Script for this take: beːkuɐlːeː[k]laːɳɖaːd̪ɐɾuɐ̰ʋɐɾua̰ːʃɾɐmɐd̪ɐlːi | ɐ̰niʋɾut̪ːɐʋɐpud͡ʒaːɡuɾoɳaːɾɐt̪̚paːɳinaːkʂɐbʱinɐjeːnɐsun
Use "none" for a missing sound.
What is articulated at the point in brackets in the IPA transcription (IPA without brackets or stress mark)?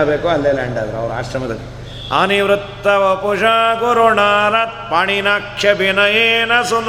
none